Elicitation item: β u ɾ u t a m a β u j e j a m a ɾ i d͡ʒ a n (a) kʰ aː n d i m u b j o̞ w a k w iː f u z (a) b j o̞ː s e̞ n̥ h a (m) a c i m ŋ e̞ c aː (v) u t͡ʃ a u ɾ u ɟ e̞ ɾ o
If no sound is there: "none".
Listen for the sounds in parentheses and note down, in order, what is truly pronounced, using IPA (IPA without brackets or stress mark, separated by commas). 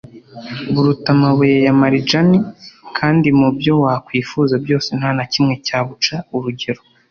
i, a, n, β